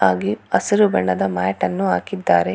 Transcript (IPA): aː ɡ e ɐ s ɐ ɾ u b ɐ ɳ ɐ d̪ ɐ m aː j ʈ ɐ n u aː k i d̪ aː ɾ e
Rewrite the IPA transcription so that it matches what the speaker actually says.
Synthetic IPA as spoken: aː ɡ i ɐ s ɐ ɾ u b ɐ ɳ ɐ d̪ ɐ m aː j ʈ ɐ nː u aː k i d̪ː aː ɾ e